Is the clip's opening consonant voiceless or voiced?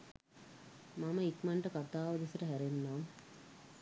voiced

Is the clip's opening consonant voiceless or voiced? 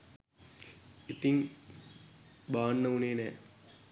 voiceless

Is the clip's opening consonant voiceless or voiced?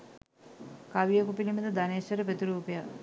voiceless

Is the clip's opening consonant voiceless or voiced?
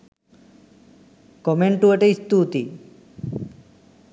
voiceless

